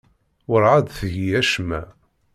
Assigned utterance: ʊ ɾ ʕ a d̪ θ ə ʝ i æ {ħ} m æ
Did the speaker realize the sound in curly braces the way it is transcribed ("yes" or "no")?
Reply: no